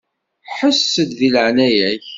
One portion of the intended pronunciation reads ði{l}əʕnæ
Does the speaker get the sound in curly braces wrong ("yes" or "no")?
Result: no